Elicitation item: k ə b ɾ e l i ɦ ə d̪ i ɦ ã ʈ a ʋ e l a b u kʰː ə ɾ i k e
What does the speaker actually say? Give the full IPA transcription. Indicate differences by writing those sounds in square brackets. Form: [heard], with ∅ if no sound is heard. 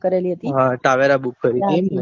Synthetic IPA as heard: k ə [∅] ɾ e l i ɦ ə [t̪] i ɦ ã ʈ a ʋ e [ɾ] a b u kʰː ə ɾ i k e